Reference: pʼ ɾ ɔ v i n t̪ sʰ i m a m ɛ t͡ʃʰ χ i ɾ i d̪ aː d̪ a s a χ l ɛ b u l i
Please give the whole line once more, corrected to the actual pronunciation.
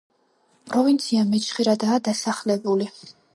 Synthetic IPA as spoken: pʼ ɾ ɔ v i n t̪ sʰ i a m ɛ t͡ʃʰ χ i ɾ a d̪ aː d̪ a s a χ l ɛ b u l i